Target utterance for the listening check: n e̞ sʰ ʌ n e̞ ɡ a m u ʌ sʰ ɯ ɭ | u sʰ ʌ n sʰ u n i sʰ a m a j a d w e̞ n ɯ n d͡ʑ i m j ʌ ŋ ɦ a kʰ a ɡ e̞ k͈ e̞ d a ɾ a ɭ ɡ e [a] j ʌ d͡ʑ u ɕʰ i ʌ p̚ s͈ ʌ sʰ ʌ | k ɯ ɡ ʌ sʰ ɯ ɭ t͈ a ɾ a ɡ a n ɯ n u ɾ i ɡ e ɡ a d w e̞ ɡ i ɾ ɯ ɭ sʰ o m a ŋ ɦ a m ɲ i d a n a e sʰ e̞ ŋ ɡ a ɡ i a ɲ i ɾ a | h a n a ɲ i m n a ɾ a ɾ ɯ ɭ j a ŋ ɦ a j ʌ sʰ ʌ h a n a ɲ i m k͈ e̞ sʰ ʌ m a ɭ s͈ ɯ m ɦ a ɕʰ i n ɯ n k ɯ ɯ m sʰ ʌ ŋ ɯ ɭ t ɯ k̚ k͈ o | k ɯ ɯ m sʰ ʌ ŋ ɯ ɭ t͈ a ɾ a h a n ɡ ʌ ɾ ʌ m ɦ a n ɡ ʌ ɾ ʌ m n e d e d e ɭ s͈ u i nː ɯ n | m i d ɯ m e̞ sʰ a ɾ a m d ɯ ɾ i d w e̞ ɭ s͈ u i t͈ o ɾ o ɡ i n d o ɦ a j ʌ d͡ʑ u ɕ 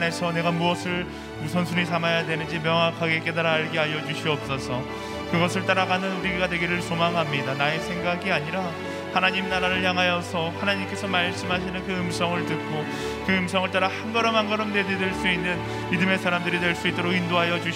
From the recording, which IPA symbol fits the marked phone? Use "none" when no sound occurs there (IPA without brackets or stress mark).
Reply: a